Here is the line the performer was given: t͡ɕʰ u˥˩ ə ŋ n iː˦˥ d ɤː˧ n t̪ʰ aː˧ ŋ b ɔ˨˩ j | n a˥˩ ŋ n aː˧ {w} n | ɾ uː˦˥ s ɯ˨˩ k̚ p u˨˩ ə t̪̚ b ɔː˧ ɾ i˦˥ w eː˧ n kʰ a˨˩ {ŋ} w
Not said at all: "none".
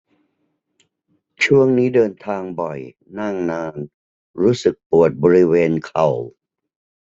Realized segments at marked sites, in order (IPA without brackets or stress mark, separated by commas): none, none